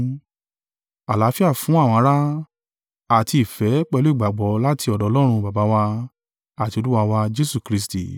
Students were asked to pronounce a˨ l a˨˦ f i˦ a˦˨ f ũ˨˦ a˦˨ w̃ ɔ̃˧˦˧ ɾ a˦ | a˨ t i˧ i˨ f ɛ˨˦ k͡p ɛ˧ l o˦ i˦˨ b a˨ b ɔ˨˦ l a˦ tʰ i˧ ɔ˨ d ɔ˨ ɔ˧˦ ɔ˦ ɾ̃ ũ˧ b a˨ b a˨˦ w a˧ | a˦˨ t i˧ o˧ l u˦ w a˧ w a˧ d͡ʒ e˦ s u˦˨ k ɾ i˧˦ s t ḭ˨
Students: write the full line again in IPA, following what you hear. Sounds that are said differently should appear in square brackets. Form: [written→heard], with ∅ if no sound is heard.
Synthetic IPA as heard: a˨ l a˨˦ f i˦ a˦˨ f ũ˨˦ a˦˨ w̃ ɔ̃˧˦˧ ɾ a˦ | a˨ t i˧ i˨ f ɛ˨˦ k͡p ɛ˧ l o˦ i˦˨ [b→ɡ͡b] a˨ [b→ɡ͡b] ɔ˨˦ l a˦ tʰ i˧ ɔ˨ d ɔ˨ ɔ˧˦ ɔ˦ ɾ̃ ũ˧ b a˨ b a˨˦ w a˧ | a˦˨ t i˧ o˧ l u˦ w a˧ w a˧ d͡ʒ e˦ s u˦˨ k ɾ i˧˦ s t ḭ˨

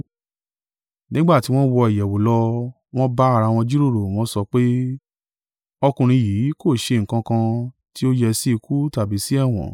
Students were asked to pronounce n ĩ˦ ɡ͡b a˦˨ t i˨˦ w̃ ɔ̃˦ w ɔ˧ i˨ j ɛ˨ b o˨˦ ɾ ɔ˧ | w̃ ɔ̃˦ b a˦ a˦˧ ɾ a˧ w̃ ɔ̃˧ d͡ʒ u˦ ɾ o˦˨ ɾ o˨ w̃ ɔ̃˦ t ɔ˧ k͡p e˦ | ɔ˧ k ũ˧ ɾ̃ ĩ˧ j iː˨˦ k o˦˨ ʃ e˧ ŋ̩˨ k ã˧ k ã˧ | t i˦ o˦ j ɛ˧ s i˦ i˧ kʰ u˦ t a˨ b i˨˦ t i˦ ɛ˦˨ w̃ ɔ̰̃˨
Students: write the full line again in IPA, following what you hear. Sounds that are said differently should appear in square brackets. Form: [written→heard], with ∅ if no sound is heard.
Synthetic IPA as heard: n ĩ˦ ɡ͡b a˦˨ t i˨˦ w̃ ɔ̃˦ w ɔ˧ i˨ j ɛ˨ [b→w] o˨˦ [ɾ→l] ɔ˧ | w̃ ɔ̃˦ b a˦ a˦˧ ɾ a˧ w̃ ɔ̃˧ d͡ʒ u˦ ɾ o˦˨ ɾ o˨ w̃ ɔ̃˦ [t→s] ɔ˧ k͡p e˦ | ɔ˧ k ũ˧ ɾ̃ ĩ˧ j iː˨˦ k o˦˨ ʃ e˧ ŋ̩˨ k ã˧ k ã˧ | t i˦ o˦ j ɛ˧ s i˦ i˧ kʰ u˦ t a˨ b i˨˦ [t→s] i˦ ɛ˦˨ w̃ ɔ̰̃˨

